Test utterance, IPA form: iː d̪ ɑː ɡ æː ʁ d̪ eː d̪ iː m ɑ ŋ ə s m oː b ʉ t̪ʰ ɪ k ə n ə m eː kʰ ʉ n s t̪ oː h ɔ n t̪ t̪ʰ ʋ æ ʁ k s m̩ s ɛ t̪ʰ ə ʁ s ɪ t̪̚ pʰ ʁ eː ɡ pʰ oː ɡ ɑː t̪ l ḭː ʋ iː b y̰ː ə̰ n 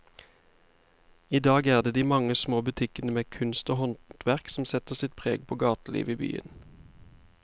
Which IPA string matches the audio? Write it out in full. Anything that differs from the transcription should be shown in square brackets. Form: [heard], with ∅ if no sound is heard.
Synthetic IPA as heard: iː d̪ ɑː ɡ æː ʁ d̪ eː d̪ iː m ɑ ŋ ə s m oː b ʉ t̪ʰ ɪ k ə n ə m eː kʰ ʉ n s t̪ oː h ɔ n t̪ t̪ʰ ʋ æ ʁ k s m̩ s ɛ [t̪] ə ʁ s ɪ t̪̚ pʰ ʁ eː ɡ pʰ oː ɡ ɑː t̪ l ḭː ʋ iː b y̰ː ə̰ n